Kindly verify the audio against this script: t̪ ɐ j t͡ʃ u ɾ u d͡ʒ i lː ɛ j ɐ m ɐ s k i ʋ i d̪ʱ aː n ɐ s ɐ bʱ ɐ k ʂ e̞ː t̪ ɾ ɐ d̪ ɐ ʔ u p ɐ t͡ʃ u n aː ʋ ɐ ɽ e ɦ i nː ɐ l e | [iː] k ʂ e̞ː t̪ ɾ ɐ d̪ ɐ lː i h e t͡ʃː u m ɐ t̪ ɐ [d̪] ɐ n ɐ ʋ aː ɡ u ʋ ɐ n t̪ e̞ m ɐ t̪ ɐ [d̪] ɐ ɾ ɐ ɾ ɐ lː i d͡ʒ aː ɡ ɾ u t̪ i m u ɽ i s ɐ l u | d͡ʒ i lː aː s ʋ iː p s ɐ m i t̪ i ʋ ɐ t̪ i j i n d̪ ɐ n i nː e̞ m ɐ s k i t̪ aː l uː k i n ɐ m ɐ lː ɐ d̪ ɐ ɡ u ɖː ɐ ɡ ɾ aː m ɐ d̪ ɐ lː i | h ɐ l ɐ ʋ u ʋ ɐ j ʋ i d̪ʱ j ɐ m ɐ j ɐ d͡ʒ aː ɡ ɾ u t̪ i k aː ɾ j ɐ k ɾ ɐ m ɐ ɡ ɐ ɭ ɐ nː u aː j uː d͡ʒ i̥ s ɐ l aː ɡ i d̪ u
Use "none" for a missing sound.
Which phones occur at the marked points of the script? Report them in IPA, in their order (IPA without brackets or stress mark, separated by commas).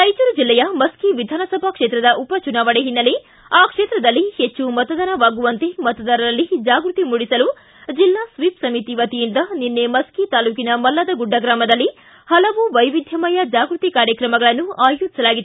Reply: aː, d̪, d̪